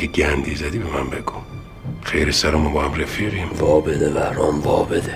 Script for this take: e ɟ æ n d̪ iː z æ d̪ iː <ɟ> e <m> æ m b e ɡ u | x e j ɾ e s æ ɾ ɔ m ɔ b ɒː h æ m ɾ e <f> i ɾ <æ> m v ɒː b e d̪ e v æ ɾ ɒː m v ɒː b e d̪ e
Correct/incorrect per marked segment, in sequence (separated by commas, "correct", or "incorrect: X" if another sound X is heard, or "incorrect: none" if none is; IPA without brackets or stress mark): incorrect: b, correct, correct, incorrect: i